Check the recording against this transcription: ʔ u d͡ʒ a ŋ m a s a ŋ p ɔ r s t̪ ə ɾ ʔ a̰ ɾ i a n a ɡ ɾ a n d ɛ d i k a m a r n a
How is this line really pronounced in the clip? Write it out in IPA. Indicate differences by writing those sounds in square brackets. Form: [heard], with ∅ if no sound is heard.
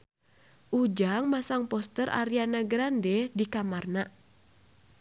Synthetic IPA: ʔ u d͡ʒ a ŋ m a s a ŋ p ɔ [∅] s t̪ ə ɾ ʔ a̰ ɾ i a n a ɡ ɾ a n d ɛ d i k a m a r n a